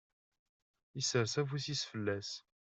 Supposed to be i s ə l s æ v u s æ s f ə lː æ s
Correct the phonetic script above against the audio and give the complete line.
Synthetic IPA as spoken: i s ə ɾ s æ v u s i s f ə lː æ s